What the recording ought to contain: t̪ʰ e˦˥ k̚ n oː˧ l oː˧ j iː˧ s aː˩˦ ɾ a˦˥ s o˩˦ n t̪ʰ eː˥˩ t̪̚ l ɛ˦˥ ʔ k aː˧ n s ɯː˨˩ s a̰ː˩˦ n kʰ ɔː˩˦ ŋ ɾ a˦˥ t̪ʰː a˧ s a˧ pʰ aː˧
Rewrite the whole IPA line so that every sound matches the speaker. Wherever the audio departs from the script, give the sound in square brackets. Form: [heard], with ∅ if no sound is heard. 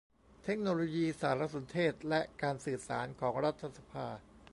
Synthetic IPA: t̪ʰ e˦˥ k̚ n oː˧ l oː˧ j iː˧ s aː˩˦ ɾ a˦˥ s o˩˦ n t̪ʰ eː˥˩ t̪̚ l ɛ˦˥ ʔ k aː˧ n s ɯː˨˩ s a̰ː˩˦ n kʰ ɔː˩˦ ŋ ɾ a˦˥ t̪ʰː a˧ s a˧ pʰ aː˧